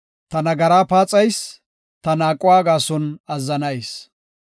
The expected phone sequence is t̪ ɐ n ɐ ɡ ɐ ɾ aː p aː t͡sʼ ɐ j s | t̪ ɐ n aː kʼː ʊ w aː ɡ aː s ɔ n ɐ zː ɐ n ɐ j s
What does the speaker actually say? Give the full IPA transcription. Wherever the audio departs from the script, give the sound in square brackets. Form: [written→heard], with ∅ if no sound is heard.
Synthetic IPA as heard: t̪ ɐ n ɐ ɡ ɐ ɾ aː p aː t͡sʼ ɐ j s | t̪ ɐ n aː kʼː ʊ w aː ɡ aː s ɔ n ɐ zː ɐ n ɐ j s